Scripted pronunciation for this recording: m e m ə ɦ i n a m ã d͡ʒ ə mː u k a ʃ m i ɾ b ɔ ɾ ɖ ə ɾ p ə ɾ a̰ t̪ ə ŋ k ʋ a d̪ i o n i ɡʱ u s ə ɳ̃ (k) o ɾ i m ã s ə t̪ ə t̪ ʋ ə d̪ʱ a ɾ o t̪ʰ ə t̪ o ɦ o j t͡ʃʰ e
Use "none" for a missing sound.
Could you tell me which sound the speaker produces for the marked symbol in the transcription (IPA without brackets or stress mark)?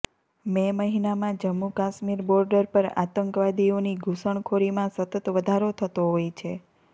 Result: kʰ